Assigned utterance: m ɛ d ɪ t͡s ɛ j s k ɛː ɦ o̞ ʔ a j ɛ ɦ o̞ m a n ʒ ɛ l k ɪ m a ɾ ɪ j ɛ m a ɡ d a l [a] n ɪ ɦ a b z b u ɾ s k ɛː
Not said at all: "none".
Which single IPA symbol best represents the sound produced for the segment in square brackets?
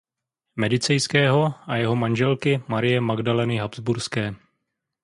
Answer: ɛ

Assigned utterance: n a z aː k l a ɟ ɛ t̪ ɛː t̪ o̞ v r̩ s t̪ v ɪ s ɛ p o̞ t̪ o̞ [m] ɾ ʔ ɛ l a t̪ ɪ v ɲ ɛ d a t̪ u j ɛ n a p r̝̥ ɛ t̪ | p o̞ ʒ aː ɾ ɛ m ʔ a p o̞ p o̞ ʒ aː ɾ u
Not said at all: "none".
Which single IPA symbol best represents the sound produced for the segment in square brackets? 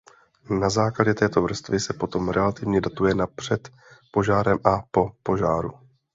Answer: m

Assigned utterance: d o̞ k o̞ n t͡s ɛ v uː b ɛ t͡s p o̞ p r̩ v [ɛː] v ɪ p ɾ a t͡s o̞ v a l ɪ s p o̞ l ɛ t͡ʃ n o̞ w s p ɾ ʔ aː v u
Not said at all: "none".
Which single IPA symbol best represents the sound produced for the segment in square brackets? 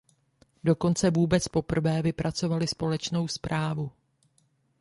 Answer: ɛː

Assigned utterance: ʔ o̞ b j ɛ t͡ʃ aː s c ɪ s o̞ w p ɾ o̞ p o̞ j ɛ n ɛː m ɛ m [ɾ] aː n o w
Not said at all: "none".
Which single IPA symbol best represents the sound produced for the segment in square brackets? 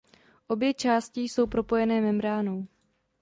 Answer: ɾ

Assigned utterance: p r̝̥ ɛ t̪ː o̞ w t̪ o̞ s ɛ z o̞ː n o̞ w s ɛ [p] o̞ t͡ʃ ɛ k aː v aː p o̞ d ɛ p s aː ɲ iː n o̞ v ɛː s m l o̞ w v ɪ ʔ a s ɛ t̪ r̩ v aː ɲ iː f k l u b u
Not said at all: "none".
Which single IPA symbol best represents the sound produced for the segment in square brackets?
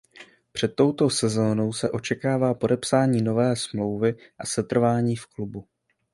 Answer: ʔ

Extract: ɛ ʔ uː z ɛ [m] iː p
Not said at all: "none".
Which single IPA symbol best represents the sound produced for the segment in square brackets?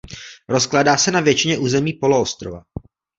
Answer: m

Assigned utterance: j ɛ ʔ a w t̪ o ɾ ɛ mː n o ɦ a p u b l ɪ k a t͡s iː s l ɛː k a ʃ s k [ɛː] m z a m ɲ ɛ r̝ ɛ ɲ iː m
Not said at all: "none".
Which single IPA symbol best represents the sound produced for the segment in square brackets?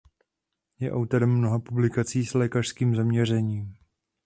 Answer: iː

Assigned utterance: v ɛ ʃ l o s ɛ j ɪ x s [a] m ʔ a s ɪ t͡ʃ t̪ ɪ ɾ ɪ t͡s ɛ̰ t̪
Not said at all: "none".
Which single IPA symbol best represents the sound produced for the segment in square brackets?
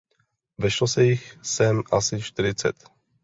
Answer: ɛ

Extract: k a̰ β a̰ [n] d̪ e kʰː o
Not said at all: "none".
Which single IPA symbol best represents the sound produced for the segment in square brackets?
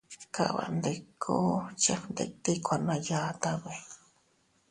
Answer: n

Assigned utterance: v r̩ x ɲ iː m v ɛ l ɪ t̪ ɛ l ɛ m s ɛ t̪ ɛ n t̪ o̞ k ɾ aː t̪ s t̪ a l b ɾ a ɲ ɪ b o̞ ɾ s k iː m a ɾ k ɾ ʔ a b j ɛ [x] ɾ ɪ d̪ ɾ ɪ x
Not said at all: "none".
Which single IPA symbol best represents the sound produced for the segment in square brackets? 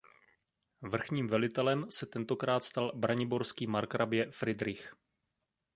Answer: f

